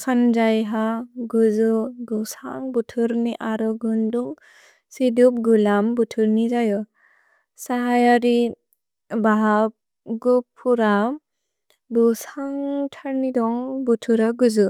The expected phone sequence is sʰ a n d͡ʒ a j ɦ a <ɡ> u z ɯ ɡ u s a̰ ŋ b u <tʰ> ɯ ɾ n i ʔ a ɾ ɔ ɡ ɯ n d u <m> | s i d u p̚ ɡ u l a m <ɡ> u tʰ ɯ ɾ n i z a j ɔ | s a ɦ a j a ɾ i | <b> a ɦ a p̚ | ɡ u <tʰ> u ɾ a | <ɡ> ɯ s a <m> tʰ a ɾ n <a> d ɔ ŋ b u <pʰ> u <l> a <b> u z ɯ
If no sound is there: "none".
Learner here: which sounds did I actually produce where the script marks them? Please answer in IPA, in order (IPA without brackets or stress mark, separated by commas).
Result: ɡ, tʰ, ŋ, b, b, pʰ, b, ŋ, i, tʰ, ɾ, ɡ